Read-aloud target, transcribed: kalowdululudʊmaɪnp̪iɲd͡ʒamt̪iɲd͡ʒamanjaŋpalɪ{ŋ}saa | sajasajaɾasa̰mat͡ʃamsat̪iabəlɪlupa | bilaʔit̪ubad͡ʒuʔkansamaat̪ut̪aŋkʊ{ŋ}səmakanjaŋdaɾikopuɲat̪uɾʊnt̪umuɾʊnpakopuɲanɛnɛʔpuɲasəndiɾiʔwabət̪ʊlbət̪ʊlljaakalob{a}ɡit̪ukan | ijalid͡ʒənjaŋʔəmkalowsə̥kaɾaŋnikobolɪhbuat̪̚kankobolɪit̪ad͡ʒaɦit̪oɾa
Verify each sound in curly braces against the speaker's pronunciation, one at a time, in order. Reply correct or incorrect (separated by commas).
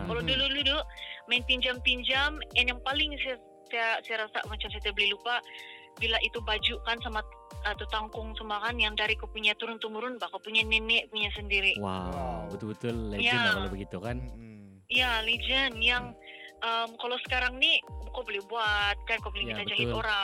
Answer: correct, correct, incorrect